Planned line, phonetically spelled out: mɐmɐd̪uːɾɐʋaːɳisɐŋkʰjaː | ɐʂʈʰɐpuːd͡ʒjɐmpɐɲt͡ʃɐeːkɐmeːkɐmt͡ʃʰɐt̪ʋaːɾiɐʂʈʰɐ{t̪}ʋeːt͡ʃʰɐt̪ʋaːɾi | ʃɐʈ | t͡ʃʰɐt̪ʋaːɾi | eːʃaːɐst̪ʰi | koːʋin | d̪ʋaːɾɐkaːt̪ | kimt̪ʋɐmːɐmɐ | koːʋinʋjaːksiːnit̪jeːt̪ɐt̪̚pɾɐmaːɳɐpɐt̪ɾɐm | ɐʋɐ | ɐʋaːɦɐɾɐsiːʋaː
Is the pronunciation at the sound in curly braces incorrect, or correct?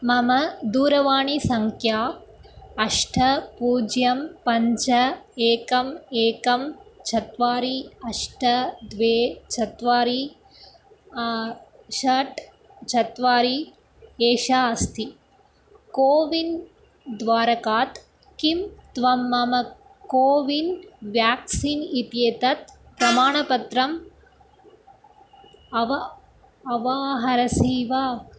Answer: incorrect